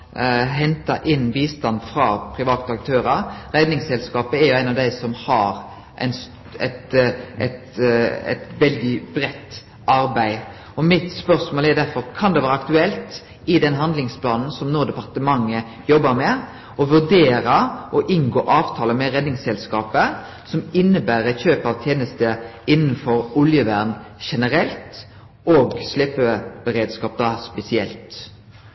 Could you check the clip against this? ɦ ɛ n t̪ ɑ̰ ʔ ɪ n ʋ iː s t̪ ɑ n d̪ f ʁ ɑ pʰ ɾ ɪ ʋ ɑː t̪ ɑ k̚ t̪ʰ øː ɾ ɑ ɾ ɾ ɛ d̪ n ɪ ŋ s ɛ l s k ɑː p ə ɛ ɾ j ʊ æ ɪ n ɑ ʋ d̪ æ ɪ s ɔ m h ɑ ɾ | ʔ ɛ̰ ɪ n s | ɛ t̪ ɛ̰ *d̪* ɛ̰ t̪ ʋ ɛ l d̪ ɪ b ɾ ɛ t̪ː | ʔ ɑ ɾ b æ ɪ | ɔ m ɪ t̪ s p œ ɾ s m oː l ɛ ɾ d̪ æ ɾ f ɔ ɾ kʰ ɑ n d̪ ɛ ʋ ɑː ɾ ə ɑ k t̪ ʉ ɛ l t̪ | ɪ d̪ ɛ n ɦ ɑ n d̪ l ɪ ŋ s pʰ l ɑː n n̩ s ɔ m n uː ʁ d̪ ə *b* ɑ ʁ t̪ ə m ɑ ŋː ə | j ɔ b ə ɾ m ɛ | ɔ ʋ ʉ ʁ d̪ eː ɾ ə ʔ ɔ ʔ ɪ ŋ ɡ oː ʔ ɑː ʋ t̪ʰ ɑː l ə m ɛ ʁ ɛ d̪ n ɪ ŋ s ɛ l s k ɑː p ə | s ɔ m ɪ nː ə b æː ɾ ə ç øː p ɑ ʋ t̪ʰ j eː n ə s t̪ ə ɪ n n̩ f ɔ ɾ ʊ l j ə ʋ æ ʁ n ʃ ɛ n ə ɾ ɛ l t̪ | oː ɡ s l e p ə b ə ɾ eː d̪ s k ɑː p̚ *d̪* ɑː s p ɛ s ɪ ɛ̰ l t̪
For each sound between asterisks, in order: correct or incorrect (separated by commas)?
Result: incorrect, incorrect, correct